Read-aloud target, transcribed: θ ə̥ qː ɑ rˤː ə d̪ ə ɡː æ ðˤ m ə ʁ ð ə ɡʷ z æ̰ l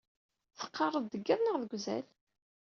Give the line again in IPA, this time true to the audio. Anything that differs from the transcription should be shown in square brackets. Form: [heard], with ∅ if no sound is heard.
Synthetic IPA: θ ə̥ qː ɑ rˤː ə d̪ ə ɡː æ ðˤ [n] ə ʁ ð ə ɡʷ z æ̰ l